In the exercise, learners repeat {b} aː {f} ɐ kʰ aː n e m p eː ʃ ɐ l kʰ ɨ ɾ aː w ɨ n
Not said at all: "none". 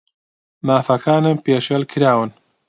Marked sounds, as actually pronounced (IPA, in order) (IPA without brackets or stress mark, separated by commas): m, f